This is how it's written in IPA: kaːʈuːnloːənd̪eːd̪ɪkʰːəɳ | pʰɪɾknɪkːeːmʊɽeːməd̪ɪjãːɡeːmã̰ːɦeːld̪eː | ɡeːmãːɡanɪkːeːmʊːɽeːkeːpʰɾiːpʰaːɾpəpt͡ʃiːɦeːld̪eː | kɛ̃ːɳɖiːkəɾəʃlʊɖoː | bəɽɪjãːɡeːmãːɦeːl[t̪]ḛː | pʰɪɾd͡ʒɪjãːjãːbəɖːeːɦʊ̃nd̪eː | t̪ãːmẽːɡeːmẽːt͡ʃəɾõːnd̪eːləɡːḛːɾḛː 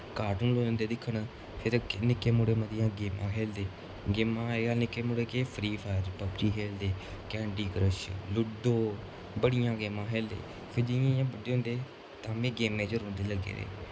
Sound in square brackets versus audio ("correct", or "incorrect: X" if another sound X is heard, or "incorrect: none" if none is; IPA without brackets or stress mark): incorrect: d̪